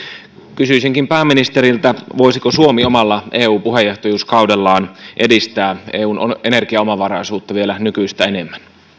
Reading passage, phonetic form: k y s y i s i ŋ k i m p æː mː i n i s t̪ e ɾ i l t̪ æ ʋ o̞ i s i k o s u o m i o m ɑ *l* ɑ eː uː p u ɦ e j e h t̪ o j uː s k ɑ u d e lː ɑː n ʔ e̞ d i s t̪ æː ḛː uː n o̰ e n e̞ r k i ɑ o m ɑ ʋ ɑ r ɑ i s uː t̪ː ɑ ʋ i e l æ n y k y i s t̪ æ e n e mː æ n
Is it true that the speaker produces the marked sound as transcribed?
no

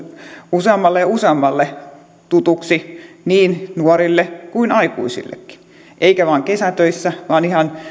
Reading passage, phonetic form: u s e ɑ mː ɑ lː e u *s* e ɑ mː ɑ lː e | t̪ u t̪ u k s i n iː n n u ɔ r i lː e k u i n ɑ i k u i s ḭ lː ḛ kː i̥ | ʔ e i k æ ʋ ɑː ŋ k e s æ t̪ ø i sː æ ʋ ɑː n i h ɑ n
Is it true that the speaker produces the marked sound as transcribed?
yes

